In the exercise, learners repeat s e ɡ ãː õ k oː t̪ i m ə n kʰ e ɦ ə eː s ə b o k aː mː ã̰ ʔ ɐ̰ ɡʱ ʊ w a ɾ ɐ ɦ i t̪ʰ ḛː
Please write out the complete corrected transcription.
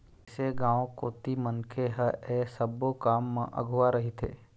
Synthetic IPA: s e ɡ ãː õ k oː t̪ i m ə n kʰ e ɦ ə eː s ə b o k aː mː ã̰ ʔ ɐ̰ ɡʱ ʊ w a ɾ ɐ ɦ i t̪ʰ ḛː